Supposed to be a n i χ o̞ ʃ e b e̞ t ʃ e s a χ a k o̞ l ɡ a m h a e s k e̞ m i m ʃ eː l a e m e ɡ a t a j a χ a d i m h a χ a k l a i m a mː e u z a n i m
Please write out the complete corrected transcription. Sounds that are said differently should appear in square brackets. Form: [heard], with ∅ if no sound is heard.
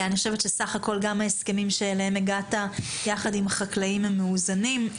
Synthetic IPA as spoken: a n i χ o̞ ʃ e [v] e̞ t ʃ e s a χ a k o̞ l ɡ a m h a e s k e̞ m i m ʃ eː l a e m e ɡ a t a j a χ a d i m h a χ a k l a i m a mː e u z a n i m